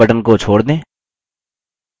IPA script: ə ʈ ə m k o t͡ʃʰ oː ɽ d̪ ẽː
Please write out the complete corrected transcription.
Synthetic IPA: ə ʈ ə n k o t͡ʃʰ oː ɽ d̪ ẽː

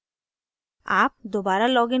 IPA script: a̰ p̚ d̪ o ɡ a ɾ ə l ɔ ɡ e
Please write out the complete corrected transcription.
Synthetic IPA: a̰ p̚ d̪ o b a ɾ a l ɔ ɡ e

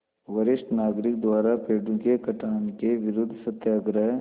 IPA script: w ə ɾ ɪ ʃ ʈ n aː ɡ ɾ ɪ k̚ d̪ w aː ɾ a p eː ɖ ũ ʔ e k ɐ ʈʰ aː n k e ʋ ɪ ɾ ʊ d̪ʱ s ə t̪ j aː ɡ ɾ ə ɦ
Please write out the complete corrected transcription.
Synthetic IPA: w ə ɾ ɪ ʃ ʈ n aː ɡ ɾ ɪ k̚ d̪ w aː ɾ a p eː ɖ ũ k e k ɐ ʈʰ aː n k e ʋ ɪ ɾ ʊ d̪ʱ s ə t̪ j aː ɡ ɾ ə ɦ

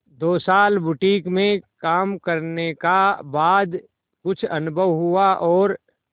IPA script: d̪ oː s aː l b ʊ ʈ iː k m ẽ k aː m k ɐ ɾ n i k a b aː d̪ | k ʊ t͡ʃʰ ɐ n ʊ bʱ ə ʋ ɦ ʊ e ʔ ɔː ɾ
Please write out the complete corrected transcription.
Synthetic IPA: d̪ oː s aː l b ʊ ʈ iː k m ẽ k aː m k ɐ ɾ n e k a b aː d̪ | k ʊ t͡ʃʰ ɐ n ʊ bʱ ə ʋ ɦ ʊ a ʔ ɔː ɾ

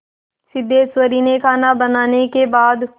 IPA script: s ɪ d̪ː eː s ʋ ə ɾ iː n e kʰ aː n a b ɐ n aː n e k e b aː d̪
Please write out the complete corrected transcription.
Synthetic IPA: s ɪ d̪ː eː s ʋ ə ɾ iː n e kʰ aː n a b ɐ n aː n e k e b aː d̪

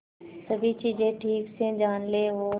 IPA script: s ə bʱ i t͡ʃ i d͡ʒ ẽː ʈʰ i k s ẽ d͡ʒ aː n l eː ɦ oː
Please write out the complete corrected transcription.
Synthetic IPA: s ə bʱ i t͡ʃ iː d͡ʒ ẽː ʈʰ iː k s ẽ d͡ʒ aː n l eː ɦ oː

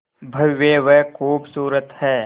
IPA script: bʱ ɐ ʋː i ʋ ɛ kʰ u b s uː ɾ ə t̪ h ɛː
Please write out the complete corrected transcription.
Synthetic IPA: bʱ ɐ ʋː e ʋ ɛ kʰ uː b s uː ɾ ə t̪ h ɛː

